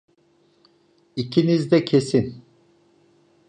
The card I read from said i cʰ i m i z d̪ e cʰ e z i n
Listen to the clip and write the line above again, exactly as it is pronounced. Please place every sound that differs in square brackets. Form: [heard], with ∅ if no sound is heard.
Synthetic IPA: i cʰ i [n] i z d̪ [ɛ] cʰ e [s] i n